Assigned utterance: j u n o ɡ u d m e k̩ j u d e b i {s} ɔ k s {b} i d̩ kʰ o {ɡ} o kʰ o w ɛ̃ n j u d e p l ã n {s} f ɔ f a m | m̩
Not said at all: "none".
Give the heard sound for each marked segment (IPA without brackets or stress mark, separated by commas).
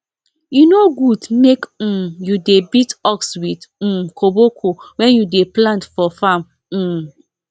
t, w, b, t